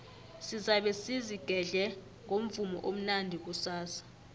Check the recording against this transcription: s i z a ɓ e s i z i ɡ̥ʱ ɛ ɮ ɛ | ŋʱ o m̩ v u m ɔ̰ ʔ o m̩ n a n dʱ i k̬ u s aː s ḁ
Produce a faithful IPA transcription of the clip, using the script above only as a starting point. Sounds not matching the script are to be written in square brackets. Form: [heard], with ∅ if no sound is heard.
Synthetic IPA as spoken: s i z a ɓ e s i z i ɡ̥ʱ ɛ ɮ ɛ | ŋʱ o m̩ v u m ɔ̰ ʔ o m̩ n a n dʱ i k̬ u s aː s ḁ